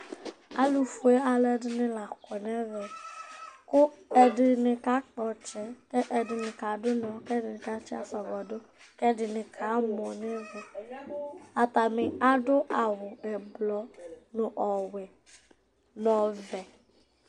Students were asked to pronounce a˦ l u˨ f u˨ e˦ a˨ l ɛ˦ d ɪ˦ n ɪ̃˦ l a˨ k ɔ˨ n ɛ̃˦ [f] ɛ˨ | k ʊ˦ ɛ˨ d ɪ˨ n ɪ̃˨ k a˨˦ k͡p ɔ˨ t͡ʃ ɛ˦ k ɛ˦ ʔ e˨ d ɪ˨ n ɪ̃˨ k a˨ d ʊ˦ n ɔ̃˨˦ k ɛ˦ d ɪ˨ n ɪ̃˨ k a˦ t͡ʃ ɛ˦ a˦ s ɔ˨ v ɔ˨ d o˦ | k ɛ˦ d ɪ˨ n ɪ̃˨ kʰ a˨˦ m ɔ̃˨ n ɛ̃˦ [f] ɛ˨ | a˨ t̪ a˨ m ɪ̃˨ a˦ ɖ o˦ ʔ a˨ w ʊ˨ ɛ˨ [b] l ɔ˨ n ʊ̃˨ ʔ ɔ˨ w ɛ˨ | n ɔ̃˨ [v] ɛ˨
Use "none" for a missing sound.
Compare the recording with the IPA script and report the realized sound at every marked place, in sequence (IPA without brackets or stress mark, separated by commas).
v, v, b, v